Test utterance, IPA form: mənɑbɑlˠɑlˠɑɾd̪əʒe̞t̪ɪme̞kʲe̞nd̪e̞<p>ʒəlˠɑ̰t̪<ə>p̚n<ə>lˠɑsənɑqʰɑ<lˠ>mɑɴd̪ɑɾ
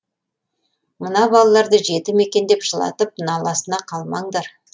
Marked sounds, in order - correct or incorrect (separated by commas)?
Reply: correct, correct, incorrect, correct